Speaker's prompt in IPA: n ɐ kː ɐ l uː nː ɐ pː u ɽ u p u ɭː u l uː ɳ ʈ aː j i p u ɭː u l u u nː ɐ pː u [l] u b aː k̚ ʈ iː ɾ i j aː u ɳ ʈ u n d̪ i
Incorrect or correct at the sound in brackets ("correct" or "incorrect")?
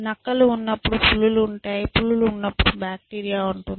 incorrect